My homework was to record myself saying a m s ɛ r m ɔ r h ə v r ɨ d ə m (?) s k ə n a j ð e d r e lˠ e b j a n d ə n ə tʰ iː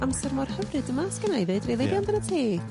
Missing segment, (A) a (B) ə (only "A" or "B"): A